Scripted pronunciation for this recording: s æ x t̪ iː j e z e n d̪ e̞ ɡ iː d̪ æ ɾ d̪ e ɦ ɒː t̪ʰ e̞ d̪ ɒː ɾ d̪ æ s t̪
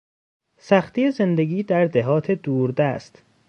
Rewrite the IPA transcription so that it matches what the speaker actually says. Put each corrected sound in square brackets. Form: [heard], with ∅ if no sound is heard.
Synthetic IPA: s æ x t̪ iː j e z e n d̪ e̞ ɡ iː d̪ æ ɾ d̪ e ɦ ɒː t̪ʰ e̞ d̪ [uː] ɾ d̪ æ s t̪